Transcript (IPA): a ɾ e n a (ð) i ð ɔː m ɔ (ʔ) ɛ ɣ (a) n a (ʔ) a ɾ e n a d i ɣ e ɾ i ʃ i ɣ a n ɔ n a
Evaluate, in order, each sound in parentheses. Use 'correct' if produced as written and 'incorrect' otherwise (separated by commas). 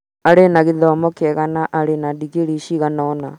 incorrect, incorrect, correct, correct